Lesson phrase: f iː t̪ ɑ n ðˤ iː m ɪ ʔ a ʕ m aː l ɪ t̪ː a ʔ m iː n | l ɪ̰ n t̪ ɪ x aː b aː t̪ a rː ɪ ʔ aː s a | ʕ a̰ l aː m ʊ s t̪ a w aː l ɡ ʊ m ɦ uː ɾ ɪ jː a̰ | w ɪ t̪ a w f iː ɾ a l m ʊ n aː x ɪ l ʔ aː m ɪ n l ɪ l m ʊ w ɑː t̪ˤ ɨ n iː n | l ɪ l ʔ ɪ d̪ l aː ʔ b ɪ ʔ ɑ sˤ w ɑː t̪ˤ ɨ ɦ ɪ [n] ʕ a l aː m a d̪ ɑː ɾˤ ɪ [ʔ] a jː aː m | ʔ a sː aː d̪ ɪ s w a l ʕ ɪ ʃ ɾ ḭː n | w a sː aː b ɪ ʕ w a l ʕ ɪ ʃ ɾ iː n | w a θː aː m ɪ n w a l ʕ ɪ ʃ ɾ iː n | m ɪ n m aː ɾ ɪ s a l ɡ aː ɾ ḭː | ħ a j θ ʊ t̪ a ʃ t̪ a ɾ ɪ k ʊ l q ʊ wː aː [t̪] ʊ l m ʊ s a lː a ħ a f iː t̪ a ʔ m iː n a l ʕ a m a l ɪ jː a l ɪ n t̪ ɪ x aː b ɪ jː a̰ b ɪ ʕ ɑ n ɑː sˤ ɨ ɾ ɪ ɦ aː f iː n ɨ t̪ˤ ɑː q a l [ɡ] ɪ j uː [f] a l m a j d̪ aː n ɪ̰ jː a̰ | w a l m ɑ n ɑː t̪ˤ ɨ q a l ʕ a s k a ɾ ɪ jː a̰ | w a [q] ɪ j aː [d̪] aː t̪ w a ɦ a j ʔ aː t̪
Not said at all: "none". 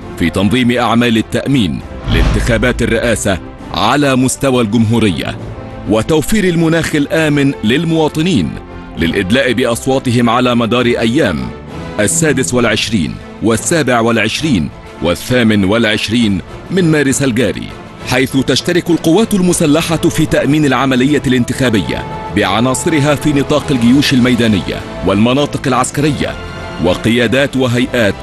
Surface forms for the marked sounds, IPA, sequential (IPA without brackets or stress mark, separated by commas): m, ʔ, t̪, ɡ, ʃ, q, d̪